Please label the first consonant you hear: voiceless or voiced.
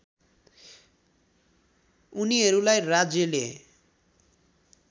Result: voiced